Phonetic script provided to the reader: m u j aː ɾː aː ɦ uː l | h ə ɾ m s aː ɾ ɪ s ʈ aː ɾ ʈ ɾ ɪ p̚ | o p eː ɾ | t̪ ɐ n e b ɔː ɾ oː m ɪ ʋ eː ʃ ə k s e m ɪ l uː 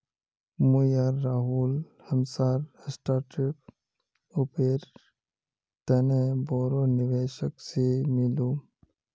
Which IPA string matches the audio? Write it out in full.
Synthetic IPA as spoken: m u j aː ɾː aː ɦ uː l | h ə m s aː ɾ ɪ s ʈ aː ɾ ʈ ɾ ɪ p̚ | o p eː ɾ | t̪ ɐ n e b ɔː ɾ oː n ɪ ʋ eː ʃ ə k s e m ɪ l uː